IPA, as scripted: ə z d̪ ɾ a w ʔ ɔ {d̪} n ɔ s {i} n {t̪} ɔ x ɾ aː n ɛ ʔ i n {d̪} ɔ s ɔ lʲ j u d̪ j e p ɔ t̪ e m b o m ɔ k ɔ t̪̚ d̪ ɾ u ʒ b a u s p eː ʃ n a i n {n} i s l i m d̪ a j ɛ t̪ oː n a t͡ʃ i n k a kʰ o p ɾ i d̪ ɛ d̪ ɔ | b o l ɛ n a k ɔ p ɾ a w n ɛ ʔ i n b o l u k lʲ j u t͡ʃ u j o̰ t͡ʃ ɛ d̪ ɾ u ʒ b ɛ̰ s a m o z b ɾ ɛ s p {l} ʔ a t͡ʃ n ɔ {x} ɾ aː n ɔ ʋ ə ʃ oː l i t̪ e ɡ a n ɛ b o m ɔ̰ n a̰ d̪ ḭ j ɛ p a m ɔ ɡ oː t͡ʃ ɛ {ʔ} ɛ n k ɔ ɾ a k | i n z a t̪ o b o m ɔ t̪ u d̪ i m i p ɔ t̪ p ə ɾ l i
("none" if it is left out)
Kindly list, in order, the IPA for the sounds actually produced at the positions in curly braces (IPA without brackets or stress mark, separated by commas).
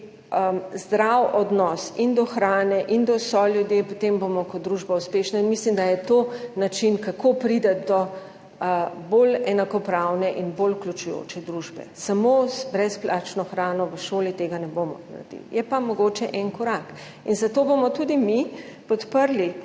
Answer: d̪, i, d̪, d̪, m, l, x, ʔ